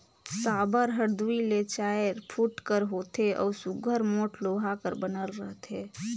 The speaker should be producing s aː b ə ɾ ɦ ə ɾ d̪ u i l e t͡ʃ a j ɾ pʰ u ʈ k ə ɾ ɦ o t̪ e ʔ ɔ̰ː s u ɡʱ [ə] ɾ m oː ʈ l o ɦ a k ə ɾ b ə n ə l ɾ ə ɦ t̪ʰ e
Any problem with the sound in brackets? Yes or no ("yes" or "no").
no